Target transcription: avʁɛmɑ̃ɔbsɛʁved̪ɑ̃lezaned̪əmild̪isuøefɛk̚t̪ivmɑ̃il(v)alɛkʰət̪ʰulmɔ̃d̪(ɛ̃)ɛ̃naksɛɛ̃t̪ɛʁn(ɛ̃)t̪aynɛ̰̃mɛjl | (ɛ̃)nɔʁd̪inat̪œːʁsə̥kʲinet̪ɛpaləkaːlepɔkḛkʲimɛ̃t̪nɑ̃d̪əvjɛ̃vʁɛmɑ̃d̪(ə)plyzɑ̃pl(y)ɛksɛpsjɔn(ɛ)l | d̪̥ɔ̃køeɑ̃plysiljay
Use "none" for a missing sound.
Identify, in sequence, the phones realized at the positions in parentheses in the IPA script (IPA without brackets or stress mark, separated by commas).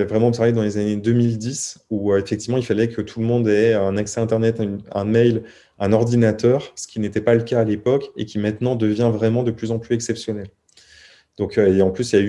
f, ɛ, ɛ, ɛ̃, ə, y, ɛ